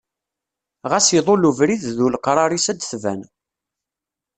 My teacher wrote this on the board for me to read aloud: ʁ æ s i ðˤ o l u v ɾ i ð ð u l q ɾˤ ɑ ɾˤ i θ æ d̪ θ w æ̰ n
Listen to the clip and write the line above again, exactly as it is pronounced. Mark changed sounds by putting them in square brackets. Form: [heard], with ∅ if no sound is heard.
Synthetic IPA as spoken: ʁ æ s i ðˤ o l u v ɾ i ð ð u l q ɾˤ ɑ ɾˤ i [s] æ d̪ θ [v] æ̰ n